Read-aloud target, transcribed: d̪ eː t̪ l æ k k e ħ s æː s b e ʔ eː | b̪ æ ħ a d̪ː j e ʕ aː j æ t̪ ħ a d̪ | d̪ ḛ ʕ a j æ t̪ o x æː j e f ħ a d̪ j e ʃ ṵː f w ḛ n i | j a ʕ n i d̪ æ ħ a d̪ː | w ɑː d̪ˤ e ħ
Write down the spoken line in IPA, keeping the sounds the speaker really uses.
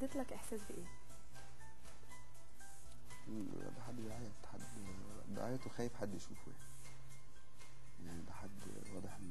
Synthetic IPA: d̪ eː t̪ l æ k ʔ e ħ s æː s b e ʔ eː | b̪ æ ħ a d̪ː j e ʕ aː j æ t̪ ħ a d̪ | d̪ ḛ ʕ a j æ t̪ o x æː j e f ħ a d̪ː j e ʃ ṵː f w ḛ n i | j a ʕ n i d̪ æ ħ a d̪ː | w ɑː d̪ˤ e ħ